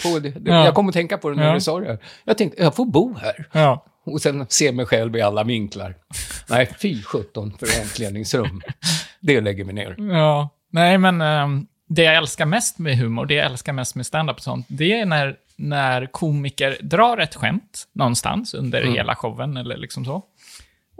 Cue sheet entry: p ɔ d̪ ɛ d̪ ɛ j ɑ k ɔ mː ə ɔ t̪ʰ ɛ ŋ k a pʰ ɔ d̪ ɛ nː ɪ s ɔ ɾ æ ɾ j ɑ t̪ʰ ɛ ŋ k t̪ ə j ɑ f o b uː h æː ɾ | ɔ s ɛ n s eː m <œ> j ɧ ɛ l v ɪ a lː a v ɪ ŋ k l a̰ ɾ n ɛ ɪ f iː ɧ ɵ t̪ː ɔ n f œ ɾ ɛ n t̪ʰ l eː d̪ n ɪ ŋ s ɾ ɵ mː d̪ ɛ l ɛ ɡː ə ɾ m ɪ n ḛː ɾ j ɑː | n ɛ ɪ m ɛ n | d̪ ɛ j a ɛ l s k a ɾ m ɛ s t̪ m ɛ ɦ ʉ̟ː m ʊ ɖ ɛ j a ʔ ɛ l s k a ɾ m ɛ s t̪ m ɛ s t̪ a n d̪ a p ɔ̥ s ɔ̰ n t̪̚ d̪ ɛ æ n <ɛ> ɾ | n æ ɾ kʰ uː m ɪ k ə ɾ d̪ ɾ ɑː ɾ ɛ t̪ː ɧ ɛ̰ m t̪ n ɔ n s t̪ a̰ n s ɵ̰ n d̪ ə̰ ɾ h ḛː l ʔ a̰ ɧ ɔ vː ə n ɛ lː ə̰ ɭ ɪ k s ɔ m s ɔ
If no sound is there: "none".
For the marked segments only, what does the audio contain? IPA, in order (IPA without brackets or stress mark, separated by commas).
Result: ɛ, æ